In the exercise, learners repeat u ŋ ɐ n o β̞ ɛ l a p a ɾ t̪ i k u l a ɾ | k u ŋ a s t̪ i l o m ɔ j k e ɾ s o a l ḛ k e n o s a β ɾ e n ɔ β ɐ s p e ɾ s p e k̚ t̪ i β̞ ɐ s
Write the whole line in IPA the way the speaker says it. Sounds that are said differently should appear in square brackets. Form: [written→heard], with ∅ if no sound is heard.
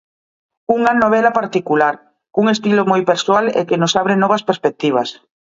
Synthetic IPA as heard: u ŋ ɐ n o β̞ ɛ l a p a ɾ t̪ i k u l a ɾ | k u ŋ [a→e] s t̪ i l o m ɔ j [k→p] e ɾ s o a l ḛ k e n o s a β ɾ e n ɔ β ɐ s p e ɾ s p e k̚ t̪ i β̞ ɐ s